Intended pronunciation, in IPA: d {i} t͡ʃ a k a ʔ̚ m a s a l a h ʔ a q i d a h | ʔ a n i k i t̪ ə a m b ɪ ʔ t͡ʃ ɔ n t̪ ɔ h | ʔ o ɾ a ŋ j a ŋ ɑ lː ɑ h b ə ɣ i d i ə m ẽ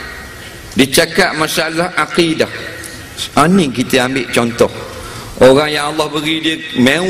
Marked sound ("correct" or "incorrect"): correct